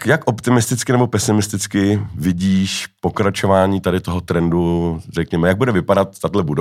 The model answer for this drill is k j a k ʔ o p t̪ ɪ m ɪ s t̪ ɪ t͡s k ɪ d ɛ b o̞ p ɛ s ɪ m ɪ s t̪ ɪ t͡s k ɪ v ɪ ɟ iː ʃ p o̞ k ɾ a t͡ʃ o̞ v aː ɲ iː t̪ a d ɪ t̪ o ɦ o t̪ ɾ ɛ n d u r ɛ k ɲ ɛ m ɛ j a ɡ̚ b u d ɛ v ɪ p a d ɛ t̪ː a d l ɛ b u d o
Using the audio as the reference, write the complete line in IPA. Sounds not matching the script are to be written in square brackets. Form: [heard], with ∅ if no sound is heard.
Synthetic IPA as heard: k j a k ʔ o p t̪ ɪ m ɪ s t̪ ɪ t͡s k ɪ [n] ɛ b o̞ p ɛ s ɪ m ɪ s t̪ ɪ t͡s k ɪ v ɪ ɟ iː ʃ p o̞ k ɾ a t͡ʃ o̞ v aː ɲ iː t̪ a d ɪ t̪ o ɦ o t̪ ɾ ɛ n d u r ɛ k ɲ ɛ m ɛ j a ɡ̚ b u d ɛ v ɪ p a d [a] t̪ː a d l ɛ b u d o